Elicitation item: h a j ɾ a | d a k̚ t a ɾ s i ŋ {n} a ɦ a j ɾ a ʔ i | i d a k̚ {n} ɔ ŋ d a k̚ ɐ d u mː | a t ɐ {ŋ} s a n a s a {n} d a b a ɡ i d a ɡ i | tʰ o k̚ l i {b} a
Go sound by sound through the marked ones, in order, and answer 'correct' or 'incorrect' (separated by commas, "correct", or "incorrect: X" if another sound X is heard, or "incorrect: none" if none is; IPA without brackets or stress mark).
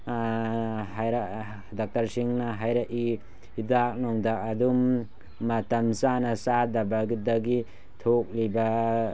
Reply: correct, correct, incorrect: m, incorrect: none, correct